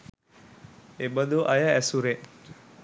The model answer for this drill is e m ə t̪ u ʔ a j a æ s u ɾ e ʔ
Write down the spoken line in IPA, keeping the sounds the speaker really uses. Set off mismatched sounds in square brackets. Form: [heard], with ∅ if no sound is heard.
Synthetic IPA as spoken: e [b] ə [d̪] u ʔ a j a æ s u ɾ e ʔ